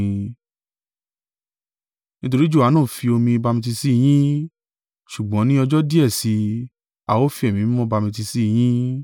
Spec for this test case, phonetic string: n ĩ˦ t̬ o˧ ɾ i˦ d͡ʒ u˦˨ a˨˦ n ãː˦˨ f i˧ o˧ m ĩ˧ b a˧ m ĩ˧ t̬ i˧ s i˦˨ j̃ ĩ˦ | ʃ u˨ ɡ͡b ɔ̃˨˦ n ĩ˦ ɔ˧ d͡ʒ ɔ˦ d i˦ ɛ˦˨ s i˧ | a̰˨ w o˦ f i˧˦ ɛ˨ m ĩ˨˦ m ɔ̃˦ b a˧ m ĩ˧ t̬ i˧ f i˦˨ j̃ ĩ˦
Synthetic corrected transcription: n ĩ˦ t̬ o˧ ɾ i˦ d͡ʒ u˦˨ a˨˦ n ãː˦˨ f i˧ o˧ m ĩ˧ b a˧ m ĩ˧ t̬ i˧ s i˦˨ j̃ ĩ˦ | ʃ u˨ ɡ͡b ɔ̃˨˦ n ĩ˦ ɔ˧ d͡ʒ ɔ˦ d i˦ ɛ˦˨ s i˧ | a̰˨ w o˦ f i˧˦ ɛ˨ m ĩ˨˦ m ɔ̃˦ b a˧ m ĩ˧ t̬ i˧ s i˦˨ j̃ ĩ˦